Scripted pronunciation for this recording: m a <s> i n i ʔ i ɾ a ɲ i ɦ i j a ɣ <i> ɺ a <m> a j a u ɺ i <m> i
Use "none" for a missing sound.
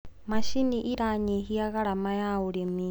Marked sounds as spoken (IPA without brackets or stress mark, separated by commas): ʃ, a, m, m